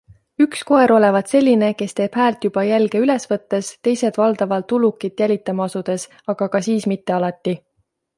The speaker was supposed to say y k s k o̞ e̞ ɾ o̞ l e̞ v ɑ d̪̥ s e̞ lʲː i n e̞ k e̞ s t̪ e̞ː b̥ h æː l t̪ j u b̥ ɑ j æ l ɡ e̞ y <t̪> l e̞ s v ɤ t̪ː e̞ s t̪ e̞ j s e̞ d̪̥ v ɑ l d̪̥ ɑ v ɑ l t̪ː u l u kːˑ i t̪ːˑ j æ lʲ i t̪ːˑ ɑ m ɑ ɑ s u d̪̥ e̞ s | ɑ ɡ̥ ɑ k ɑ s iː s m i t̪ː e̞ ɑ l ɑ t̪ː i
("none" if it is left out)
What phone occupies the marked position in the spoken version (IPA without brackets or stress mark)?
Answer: none